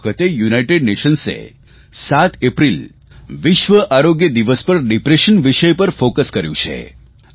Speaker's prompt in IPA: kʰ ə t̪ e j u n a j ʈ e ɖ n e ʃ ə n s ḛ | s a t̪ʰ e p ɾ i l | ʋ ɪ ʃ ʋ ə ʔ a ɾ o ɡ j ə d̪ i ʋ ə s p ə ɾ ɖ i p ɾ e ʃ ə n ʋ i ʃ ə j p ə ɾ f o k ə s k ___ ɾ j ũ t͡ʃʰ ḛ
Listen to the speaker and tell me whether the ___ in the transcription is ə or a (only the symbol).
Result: ə